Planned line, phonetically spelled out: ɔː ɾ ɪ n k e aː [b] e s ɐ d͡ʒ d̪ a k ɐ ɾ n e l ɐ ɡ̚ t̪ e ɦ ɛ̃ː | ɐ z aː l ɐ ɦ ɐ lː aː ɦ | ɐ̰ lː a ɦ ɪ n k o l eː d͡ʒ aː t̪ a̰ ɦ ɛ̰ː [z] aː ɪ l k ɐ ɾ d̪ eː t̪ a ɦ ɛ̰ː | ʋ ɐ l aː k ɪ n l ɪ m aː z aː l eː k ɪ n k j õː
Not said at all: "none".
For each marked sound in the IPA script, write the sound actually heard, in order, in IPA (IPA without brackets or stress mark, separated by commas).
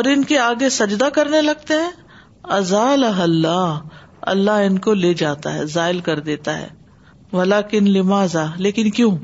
ɡ, z